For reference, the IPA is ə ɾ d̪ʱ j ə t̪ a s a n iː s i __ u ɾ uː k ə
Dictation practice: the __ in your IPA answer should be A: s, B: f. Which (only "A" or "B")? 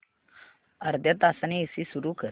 A